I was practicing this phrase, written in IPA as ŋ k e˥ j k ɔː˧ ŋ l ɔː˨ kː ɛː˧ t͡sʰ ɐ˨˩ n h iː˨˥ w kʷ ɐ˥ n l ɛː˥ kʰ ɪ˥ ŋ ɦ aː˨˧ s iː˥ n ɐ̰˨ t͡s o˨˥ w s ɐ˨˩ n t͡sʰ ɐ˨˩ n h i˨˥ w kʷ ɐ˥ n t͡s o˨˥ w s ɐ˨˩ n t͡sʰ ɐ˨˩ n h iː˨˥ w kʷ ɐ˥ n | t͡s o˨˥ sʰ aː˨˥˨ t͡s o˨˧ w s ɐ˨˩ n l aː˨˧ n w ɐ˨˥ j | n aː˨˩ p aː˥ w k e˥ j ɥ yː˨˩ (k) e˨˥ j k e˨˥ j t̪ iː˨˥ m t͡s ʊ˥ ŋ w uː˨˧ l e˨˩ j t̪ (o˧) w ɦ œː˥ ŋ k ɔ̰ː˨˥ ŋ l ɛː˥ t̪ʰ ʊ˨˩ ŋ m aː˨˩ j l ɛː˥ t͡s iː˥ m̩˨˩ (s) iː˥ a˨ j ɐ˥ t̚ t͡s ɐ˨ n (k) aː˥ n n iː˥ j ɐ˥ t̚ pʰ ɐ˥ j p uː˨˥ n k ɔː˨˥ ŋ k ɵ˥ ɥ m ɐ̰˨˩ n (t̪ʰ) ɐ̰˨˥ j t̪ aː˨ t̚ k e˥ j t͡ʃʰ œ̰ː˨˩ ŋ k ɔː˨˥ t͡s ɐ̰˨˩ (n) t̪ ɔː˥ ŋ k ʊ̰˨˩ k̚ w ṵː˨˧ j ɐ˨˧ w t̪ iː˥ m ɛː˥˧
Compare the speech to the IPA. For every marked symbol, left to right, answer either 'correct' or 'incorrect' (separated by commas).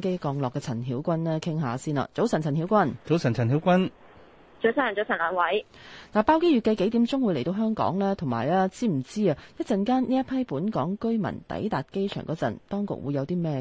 correct, correct, incorrect, correct, incorrect, correct